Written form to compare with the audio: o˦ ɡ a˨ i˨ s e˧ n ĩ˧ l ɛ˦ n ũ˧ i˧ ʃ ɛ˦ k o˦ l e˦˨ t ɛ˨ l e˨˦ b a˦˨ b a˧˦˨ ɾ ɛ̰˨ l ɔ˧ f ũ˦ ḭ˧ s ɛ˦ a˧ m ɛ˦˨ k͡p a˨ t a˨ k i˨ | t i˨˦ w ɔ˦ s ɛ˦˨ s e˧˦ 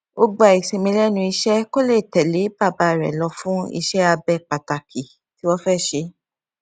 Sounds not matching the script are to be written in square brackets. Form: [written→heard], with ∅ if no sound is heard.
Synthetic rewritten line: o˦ [ɡ→ɡ͡b] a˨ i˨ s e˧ [n→m] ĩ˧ l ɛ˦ n ũ˧ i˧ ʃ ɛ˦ k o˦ l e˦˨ t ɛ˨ l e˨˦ b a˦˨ b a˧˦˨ ɾ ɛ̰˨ l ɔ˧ f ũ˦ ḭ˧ [s→ʃ] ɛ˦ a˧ [m→b] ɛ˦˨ k͡p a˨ t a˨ k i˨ | t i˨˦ w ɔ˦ [s→f] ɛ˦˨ [s→ʃ] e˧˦